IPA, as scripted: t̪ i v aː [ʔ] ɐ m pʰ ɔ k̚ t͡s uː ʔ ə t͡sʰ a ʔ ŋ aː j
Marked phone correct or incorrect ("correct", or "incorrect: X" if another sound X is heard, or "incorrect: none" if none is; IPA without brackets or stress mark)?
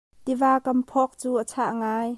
incorrect: k